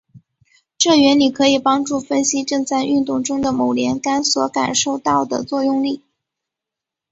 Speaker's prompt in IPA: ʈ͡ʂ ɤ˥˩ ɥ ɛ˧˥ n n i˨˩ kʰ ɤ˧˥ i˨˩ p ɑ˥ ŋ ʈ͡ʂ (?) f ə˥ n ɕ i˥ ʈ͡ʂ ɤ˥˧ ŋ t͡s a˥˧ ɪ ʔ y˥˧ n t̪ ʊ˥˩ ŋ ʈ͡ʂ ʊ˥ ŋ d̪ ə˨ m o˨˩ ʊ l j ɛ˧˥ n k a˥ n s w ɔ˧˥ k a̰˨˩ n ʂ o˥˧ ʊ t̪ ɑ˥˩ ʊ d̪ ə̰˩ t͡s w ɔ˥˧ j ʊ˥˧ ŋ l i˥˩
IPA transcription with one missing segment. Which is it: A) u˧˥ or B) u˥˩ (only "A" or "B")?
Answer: B